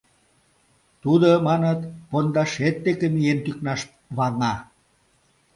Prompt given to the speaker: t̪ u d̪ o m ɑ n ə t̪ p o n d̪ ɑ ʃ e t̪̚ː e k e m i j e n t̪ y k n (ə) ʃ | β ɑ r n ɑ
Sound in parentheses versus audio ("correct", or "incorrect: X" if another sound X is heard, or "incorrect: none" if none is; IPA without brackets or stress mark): incorrect: ɑ